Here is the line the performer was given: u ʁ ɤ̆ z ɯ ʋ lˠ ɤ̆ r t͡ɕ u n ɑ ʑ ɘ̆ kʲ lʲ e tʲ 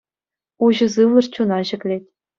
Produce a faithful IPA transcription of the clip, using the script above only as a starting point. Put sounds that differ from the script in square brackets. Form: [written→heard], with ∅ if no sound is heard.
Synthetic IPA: u [ʁ→ʑ] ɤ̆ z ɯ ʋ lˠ ɤ̆ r t͡ɕ u n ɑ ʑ ɘ̆ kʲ lʲ e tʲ